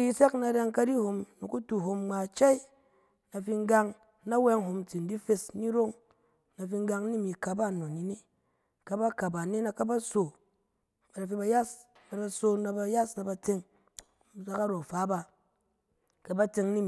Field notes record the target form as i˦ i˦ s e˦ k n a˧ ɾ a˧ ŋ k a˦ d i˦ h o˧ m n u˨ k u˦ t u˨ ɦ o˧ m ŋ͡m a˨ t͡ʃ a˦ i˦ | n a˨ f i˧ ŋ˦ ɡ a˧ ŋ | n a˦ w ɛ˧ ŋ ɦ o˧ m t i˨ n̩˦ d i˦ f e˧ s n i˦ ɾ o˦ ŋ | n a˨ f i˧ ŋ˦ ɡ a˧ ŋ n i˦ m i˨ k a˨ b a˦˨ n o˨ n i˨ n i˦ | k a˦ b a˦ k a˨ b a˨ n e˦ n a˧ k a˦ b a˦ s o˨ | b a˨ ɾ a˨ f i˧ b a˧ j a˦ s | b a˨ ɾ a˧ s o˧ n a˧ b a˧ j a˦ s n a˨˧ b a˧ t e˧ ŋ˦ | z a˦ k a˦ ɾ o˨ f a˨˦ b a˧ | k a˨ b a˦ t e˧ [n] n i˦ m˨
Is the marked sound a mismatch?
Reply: yes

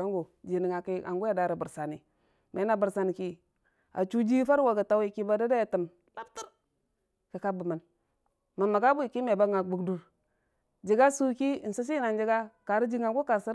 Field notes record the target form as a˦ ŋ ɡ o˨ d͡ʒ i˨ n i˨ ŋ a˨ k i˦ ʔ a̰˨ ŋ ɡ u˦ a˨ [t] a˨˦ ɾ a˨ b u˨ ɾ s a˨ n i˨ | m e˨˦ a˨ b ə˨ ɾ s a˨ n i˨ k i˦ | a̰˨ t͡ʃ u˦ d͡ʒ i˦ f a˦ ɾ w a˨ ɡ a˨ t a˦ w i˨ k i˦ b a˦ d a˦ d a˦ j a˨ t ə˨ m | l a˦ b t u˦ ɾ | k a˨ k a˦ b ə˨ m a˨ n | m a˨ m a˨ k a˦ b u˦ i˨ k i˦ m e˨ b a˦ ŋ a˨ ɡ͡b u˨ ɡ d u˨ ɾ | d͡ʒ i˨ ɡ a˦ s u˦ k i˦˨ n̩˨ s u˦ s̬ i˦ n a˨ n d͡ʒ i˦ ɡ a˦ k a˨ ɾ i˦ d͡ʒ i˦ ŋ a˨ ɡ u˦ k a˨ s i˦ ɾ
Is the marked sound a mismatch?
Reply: yes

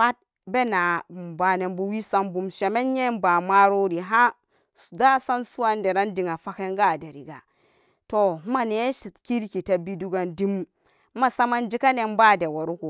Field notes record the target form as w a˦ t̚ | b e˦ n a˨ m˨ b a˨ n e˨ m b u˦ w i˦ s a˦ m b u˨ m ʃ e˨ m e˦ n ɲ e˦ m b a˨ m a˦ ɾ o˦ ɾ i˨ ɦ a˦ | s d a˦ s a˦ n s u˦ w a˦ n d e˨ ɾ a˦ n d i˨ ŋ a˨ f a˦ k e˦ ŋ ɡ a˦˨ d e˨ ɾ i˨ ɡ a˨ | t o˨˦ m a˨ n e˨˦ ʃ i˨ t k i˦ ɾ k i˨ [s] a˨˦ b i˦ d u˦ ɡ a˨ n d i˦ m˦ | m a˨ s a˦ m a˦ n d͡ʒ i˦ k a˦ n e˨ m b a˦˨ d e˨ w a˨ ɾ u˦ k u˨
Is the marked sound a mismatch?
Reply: yes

